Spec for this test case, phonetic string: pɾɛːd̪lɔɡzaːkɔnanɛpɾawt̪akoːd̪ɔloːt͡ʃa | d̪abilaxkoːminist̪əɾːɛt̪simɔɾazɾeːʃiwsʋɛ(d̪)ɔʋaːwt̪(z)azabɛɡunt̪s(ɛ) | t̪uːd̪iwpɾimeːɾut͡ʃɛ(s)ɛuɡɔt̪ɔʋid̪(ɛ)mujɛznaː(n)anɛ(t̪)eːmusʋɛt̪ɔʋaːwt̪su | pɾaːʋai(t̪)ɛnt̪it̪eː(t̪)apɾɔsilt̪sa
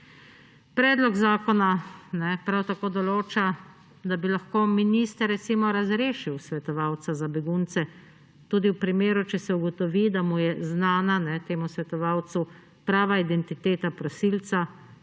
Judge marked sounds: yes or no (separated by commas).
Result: no, no, yes, yes, no, yes, yes, no, yes